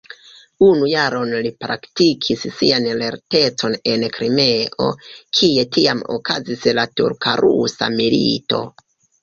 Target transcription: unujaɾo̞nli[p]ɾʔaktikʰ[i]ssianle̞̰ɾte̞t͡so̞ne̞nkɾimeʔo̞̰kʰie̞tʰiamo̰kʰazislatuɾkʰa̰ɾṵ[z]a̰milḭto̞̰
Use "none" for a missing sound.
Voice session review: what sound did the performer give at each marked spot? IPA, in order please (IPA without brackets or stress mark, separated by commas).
p, i, s